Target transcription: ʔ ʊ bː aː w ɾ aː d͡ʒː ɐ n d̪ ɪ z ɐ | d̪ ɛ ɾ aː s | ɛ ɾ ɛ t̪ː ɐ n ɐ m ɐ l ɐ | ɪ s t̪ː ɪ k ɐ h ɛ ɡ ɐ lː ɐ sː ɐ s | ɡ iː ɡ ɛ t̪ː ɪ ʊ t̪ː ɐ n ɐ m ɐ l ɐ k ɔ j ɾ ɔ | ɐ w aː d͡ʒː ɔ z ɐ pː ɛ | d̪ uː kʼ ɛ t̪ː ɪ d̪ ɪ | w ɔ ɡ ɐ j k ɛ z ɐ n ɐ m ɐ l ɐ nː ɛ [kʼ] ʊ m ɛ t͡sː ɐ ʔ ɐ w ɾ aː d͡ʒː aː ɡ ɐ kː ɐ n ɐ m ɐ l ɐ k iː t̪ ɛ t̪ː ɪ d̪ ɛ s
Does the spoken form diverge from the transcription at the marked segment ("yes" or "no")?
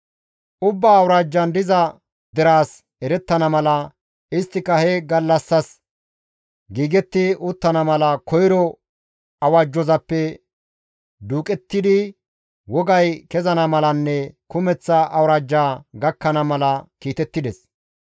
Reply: yes